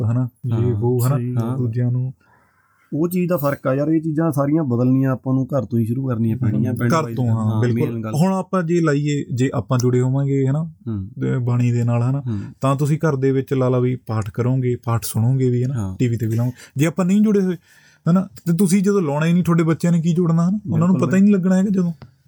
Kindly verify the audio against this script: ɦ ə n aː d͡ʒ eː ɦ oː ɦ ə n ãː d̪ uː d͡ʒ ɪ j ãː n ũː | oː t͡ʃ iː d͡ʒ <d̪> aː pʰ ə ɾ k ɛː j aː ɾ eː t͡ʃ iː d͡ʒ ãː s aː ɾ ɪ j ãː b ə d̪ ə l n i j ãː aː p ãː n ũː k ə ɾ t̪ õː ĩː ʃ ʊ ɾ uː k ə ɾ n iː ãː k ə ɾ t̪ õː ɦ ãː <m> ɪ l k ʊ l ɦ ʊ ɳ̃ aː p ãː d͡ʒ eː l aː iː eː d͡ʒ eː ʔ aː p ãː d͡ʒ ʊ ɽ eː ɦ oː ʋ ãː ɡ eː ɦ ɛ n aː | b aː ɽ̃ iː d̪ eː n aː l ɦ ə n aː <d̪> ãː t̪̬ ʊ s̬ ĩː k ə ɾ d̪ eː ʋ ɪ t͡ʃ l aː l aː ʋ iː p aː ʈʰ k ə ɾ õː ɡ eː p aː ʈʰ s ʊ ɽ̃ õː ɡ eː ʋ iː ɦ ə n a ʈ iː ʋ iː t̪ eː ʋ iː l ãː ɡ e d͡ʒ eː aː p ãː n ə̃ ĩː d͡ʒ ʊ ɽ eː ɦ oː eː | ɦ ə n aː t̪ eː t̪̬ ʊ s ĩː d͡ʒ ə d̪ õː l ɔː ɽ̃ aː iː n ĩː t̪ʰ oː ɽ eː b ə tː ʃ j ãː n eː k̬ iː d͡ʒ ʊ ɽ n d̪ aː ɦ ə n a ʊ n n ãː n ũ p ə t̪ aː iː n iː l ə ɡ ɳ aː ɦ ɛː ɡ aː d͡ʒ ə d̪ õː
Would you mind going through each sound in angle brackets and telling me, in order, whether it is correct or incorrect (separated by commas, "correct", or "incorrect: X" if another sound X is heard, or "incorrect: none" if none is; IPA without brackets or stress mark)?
correct, incorrect: b, incorrect: t̪